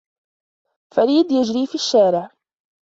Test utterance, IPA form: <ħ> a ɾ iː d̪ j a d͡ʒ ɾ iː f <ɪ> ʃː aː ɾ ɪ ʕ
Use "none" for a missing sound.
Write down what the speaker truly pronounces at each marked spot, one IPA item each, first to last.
f, i

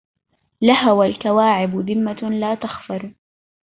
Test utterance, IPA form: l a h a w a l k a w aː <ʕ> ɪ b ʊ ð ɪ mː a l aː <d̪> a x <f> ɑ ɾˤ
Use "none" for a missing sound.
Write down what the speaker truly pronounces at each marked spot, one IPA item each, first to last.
ʕ, t̪, f

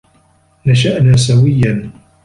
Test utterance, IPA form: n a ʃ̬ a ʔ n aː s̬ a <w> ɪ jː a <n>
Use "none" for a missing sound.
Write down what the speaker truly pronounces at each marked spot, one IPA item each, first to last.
w, n

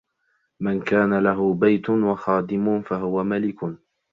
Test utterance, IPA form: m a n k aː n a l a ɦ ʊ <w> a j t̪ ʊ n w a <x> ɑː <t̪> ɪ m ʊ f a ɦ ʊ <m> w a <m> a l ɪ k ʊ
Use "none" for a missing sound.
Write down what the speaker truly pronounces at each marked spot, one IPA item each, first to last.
b, x, d̪, none, m

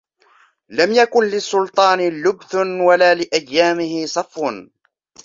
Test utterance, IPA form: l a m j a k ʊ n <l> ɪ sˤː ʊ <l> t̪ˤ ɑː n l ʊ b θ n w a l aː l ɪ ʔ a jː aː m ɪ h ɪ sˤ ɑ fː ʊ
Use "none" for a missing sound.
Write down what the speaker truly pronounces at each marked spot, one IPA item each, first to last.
l, l

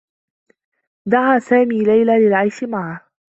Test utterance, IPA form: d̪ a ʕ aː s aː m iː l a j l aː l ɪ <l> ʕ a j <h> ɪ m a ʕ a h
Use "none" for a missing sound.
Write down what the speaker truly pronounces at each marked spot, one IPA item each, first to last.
l, ʃ

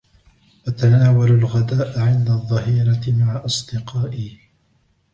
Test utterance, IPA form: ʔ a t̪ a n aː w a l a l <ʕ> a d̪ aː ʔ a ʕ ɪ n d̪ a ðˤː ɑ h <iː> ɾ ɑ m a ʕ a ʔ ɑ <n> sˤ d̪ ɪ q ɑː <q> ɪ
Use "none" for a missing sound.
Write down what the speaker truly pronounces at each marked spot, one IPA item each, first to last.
ɣ, iː, none, ʔ

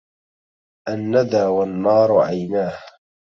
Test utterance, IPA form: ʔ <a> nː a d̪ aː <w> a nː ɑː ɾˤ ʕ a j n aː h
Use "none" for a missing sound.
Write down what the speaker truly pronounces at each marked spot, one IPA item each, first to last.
a, w

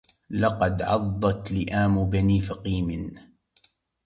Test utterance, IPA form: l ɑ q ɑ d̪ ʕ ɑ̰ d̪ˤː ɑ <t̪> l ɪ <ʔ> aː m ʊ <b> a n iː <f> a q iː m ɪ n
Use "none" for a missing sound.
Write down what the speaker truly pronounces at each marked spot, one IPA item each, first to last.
t̪, ʔ, b, f

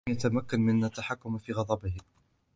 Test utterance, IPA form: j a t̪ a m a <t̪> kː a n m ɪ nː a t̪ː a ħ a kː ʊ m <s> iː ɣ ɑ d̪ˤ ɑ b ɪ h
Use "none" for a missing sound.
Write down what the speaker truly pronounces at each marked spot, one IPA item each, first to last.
none, f

